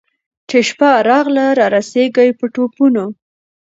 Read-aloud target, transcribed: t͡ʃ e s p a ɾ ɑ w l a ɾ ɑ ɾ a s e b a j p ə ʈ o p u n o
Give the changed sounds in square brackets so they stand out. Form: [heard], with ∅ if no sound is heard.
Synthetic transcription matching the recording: t͡ʃ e [ʃ] p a ɾ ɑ [ɣ] l a ɾ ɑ ɾ a s e [ɡ] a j p ə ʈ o p u n o